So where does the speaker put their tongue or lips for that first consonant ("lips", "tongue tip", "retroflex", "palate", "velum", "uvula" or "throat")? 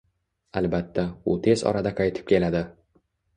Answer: tongue tip